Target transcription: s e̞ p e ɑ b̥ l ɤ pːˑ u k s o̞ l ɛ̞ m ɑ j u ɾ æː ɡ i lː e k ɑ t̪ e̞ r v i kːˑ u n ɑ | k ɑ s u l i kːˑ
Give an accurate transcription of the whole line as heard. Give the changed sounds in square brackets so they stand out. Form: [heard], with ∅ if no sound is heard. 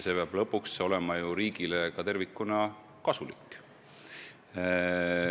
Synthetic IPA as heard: s e̞ p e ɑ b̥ l ɤ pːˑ u k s o̞ l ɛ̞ m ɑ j u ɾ [iː] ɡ i [l] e k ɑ t̪ e̞ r v i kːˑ u n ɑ | k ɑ s u l i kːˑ